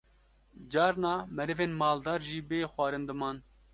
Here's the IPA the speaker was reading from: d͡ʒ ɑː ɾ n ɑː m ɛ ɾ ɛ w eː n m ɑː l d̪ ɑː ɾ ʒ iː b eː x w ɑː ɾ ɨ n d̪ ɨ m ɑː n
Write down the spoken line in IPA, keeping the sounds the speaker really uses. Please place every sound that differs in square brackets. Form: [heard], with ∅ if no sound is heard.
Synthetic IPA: d͡ʒ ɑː ɾ n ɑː m ɛ ɾ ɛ [v] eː n m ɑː l d̪ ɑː ɾ ʒ iː b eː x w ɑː ɾ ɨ n d̪ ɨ m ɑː n